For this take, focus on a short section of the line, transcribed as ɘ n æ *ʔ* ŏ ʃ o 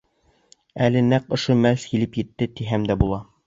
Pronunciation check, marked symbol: incorrect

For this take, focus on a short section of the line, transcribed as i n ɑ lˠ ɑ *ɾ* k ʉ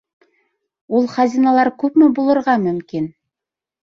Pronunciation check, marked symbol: correct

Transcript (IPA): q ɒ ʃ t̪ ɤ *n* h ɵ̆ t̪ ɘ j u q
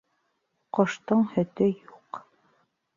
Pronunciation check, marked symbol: incorrect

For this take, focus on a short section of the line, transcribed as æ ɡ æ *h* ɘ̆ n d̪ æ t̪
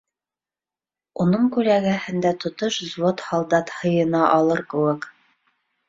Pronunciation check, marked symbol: correct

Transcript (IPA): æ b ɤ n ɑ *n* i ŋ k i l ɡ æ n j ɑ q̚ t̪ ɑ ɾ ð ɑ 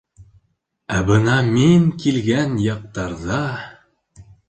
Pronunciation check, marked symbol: incorrect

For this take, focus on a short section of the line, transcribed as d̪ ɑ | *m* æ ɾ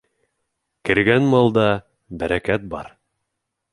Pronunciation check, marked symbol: incorrect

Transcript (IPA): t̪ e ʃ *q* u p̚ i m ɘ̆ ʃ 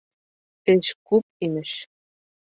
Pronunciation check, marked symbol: incorrect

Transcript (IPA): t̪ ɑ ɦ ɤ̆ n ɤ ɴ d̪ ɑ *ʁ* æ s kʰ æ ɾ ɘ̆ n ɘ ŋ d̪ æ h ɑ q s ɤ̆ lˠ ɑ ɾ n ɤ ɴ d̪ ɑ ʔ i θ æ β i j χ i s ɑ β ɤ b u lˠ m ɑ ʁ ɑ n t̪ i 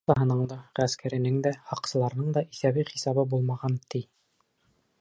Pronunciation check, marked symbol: correct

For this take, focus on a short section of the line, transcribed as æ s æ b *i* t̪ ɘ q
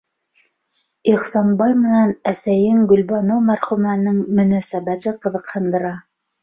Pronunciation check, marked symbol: incorrect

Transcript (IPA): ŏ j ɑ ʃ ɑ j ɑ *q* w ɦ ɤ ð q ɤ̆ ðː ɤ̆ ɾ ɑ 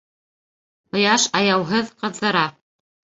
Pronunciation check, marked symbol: incorrect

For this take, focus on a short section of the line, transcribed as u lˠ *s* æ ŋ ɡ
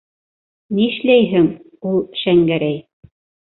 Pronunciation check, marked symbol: incorrect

